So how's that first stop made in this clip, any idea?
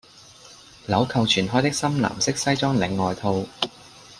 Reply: aspirated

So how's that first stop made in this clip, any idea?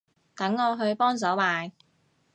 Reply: plain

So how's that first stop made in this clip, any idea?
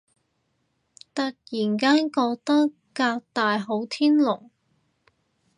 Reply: plain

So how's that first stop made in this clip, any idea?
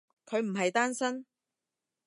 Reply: aspirated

